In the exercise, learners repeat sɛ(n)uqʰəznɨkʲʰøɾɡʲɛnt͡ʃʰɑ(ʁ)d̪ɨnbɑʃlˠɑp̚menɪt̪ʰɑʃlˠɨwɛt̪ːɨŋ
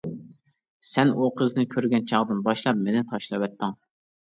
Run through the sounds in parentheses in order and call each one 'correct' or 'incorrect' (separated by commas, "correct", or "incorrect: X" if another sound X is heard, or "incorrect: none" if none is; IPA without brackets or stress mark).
correct, correct